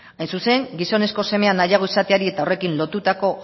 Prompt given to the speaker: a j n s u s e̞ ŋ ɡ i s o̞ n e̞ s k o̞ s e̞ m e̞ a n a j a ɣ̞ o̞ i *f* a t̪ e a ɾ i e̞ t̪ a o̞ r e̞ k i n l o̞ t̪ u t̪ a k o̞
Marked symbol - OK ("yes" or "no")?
no